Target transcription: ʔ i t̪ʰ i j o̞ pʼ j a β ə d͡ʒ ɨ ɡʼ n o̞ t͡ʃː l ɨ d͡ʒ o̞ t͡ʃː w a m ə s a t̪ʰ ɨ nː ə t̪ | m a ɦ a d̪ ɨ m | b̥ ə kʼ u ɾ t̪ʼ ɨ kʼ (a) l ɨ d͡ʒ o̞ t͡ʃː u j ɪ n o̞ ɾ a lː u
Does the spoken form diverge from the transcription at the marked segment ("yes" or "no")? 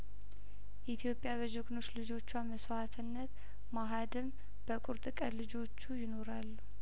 yes